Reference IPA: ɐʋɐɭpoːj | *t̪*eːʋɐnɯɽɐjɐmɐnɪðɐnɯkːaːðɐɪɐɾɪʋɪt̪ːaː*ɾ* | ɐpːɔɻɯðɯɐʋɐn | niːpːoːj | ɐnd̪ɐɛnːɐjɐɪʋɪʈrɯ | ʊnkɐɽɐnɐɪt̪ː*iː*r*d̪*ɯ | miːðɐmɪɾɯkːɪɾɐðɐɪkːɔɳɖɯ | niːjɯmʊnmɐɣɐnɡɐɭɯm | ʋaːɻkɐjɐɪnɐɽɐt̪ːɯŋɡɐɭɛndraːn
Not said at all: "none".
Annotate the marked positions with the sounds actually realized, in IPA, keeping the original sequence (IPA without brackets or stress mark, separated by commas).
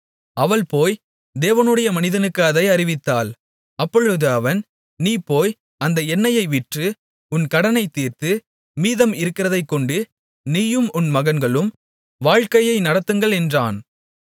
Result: d̪, l, iː, t̪